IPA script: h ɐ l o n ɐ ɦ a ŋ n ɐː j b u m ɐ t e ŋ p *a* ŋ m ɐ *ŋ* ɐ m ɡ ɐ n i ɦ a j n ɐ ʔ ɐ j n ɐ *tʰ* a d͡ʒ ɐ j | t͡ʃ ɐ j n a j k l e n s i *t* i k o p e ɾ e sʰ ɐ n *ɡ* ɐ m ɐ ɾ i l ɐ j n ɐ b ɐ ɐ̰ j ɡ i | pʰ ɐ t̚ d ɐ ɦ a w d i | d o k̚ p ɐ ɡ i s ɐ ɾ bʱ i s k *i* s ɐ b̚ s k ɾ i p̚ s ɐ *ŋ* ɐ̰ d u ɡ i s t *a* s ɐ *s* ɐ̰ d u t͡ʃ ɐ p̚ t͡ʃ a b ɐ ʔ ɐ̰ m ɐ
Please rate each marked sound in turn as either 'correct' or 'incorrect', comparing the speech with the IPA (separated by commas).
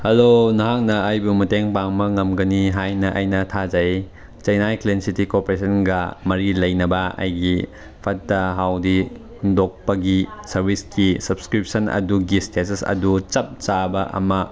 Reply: correct, correct, correct, correct, correct, correct, incorrect, incorrect, correct